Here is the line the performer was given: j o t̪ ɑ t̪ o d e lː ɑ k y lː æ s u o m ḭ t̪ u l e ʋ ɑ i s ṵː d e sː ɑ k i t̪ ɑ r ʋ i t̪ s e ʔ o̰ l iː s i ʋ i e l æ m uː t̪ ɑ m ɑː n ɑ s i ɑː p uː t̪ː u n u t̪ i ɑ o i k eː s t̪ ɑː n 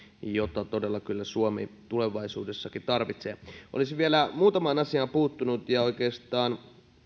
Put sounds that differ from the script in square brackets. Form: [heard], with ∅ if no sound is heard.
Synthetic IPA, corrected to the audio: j o t̪ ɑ t̪ o d e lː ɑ k y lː æ s u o m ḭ t̪ u l e ʋ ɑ i s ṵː d e sː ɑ k i t̪ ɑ r ʋ i t̪ s e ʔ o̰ l [i] s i ʋ i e l æ m uː t̪ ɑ m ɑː n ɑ s i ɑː p uː t̪ː u n u t̪ [j] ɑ o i k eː s t̪ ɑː n